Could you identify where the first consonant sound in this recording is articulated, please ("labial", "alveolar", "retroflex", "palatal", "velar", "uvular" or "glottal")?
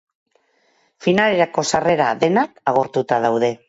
labial